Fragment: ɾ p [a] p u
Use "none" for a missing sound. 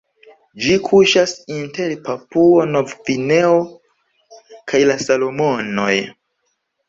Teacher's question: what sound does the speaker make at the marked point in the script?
a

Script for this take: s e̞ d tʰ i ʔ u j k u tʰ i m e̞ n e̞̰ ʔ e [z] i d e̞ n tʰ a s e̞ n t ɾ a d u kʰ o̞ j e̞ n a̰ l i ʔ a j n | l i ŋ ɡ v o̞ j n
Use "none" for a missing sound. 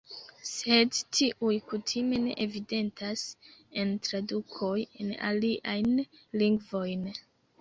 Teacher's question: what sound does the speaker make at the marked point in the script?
v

